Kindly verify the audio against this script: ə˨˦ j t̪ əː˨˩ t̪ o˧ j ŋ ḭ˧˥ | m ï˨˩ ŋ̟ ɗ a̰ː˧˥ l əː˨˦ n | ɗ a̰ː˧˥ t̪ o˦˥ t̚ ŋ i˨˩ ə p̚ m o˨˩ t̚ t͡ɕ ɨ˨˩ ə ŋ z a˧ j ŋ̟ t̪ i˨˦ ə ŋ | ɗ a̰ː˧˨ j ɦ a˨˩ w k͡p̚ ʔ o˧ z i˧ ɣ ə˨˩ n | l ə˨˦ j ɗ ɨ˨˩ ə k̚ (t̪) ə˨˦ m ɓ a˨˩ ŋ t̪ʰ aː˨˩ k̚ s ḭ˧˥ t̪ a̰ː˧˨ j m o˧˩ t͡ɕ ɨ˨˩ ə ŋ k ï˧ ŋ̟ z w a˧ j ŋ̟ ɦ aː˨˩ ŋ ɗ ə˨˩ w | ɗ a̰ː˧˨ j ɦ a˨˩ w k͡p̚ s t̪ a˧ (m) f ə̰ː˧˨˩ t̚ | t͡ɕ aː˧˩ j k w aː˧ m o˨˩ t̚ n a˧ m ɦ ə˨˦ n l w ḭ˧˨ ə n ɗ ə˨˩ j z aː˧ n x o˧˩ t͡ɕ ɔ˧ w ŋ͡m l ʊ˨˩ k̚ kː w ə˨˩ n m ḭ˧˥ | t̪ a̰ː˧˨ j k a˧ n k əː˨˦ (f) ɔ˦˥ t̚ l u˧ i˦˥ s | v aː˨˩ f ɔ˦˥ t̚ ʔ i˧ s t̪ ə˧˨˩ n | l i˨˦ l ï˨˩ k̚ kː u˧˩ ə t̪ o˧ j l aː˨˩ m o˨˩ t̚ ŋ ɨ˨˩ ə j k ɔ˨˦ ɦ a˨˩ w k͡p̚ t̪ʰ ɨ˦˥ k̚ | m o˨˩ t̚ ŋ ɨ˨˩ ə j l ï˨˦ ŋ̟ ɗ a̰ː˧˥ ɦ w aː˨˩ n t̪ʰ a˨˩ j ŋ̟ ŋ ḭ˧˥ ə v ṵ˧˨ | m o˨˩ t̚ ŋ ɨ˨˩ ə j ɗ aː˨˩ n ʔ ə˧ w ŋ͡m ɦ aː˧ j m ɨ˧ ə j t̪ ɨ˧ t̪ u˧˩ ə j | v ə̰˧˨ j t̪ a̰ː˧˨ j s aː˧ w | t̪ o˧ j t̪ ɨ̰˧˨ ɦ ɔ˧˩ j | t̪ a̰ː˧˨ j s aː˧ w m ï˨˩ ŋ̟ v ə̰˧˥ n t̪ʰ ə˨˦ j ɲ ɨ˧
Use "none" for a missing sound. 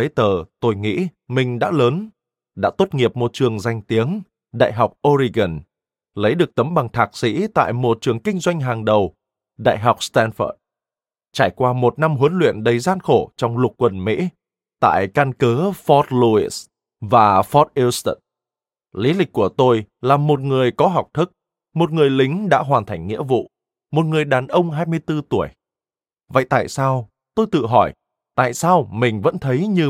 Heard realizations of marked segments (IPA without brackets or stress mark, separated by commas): t̪, n, f